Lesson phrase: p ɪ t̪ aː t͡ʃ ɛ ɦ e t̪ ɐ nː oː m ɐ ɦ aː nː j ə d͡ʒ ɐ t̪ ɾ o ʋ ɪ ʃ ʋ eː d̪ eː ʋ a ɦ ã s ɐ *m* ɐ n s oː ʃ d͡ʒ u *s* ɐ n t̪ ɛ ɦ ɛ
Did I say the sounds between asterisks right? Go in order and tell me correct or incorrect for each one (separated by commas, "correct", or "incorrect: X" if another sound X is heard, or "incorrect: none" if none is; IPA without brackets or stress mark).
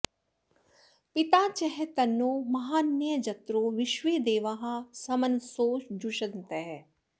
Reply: correct, incorrect: ʃ